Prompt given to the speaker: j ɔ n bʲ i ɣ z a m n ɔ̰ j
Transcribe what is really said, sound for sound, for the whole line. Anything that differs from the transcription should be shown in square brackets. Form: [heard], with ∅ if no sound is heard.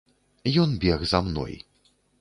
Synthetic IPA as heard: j ɔ n bʲ [ɛ] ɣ z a m n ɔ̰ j